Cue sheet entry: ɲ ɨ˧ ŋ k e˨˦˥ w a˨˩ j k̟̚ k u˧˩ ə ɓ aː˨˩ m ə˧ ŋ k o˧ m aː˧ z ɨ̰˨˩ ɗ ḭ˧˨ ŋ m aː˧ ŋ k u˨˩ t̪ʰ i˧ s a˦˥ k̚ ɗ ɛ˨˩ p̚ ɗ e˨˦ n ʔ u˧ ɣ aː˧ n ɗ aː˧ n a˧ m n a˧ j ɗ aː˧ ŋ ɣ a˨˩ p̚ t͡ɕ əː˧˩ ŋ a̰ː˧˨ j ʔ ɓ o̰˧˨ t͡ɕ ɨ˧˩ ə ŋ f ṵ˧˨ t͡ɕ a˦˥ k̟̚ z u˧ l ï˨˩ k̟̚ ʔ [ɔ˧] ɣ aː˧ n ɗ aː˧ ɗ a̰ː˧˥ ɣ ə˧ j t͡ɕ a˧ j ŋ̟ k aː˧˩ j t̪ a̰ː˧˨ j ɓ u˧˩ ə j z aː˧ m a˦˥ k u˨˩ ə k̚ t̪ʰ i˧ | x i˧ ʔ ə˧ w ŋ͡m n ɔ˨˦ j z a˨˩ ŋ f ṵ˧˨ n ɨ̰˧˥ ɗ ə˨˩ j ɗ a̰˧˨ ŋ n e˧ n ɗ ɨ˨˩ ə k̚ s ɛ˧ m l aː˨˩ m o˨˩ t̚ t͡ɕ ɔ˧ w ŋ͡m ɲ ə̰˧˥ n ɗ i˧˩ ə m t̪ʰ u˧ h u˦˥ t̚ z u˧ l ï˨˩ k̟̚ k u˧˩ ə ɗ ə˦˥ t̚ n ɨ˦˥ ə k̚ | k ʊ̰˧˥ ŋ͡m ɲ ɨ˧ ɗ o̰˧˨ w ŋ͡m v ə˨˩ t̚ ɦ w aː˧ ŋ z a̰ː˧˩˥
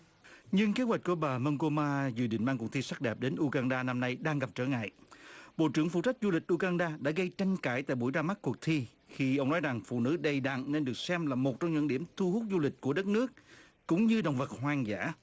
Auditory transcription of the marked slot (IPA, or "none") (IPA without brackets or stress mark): u˧